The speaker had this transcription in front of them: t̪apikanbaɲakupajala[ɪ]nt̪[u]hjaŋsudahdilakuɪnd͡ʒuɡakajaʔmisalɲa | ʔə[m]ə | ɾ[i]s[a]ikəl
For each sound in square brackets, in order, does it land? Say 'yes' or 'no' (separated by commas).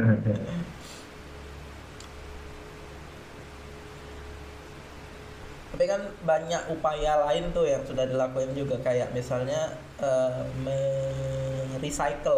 yes, no, yes, yes, yes